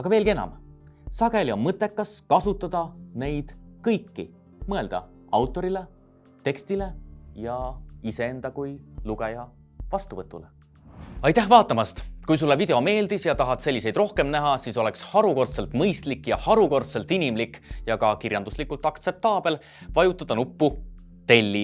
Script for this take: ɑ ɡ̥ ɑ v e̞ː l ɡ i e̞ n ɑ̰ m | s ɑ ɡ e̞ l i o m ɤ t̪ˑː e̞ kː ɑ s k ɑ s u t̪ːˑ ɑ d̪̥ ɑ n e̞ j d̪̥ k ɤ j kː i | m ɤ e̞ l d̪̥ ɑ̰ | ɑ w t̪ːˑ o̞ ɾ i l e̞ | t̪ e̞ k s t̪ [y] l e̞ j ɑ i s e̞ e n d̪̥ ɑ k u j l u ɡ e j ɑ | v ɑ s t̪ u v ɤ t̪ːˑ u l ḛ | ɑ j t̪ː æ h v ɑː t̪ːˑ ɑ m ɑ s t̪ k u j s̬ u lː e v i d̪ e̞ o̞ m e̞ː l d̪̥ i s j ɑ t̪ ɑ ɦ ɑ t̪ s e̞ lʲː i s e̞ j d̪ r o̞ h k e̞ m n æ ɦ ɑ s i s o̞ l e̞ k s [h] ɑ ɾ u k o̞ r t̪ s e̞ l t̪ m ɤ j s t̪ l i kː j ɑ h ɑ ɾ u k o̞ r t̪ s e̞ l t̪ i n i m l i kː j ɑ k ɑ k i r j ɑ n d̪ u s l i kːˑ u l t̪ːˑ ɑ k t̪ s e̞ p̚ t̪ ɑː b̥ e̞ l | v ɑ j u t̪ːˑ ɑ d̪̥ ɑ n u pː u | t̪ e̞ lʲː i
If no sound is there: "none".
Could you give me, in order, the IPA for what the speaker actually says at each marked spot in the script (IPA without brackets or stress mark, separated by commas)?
i, h